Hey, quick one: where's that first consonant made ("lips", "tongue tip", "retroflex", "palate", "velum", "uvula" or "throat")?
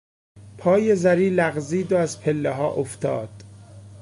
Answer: lips